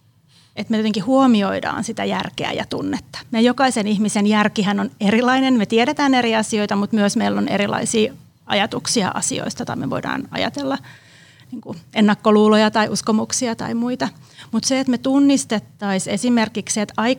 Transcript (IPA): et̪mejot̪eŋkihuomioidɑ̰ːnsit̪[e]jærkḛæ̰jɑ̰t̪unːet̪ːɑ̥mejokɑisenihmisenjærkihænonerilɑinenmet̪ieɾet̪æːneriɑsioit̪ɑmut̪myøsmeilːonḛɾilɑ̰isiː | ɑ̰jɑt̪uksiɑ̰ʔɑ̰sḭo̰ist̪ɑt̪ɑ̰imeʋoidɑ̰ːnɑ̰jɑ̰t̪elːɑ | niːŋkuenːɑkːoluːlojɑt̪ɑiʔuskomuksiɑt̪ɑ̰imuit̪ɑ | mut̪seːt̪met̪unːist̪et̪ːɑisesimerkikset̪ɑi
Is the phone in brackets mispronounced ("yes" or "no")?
yes